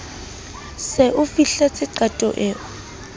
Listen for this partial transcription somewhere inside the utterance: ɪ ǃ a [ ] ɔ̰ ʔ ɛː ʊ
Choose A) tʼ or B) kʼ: A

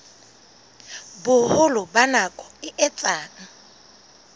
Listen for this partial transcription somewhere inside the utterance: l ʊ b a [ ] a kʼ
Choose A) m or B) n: B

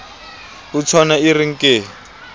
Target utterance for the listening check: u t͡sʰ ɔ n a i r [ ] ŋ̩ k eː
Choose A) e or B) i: B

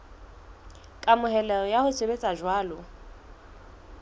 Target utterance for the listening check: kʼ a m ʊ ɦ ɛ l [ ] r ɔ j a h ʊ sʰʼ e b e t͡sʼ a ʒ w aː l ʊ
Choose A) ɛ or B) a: A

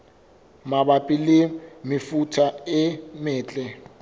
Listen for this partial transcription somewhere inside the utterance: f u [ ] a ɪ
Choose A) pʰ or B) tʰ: B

